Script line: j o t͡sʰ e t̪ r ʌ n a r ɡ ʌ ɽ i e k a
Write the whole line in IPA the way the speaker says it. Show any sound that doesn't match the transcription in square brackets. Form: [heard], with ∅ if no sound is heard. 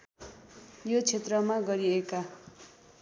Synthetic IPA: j o t͡sʰ e t̪ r ʌ [m] a [∅] ɡ ʌ [ɾ] i e k a

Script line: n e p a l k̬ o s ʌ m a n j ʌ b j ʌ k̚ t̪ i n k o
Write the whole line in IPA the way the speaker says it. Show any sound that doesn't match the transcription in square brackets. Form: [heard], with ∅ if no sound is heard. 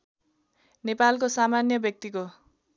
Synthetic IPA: n e p a l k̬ o s [a] m a n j ʌ b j ʌ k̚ t̪ i [∅] k o

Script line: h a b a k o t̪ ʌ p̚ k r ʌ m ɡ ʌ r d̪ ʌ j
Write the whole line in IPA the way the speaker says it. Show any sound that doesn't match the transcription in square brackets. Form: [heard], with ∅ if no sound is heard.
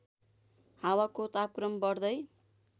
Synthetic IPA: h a [w] a k o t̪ [a] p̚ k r ʌ m [b] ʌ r d̪ ʌ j

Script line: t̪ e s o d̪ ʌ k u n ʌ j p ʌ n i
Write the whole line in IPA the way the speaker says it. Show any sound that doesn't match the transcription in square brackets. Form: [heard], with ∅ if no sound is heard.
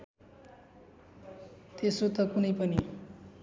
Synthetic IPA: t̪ e s o [t̪] ʌ k u n ʌ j p ʌ n i

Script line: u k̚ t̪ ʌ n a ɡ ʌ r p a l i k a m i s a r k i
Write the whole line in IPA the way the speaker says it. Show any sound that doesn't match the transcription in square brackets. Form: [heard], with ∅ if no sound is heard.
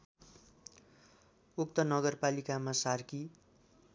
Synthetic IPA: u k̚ t̪ ʌ n [ʌ] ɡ ʌ r p a l i k a m [a] s a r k i

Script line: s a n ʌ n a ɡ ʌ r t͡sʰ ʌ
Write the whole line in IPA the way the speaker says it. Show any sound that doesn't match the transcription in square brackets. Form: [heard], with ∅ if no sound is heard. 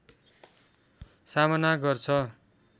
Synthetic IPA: s a [m] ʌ n a ɡ ʌ r t͡sʰ ʌ

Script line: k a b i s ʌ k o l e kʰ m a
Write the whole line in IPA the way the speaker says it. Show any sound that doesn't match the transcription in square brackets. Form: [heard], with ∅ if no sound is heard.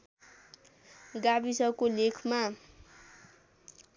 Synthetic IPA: [ɡ] a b i s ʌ k o l e kʰ m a

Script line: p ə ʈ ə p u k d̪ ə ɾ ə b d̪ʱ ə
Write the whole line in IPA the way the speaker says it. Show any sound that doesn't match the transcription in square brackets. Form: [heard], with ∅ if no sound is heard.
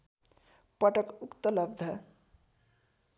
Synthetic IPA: p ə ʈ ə [k] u k [t̪] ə [l] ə b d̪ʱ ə

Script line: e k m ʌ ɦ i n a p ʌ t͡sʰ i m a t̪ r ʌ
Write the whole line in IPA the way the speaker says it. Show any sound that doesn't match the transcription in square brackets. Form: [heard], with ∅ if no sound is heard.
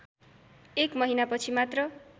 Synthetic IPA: e k m ʌ ɦ i n a p ʌ t͡sʰ i m a t̪ r ʌ

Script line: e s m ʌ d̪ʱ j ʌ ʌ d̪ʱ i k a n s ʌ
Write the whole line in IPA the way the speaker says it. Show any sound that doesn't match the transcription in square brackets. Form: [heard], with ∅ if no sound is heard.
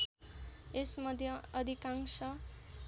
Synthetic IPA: e s m ʌ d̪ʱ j ʌ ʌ d̪ʱ i k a [ŋ] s ʌ

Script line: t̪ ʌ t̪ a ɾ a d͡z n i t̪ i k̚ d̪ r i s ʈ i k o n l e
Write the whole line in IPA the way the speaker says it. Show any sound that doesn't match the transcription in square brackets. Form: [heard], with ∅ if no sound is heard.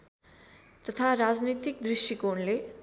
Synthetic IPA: t̪ ʌ [t̪ʰ] a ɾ a d͡z n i t̪ i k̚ d̪ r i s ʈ i k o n l e

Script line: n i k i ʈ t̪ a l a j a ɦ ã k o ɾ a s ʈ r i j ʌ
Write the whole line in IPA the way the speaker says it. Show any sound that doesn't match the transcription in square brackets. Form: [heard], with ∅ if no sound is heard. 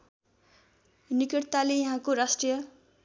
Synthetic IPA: n i k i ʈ t̪ a l [e] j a ɦ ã k o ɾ a s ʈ r i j ʌ

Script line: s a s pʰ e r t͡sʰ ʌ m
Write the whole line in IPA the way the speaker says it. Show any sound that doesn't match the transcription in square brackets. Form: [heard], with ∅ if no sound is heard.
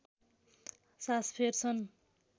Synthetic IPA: s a s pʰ e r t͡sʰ ʌ [n]

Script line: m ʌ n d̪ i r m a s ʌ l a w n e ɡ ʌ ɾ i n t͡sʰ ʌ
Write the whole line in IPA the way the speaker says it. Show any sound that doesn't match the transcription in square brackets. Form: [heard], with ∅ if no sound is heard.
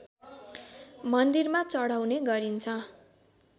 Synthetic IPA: m ʌ n d̪ i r m a [t͡s] ʌ [ɽ] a w n e ɡ ʌ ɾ i n t͡sʰ ʌ

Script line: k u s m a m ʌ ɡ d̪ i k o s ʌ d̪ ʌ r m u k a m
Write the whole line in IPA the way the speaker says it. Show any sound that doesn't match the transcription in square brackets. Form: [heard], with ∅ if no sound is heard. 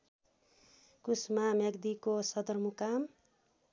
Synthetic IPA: k u s m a m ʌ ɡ d̪ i k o s ʌ d̪ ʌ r m u k a m

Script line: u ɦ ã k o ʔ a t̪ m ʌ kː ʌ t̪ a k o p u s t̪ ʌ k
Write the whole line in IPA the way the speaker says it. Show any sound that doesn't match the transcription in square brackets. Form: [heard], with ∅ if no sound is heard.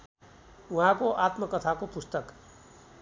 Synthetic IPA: u ɦ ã k o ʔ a t̪ m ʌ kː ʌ [t̪ʰ] a k o p u s t̪ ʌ k

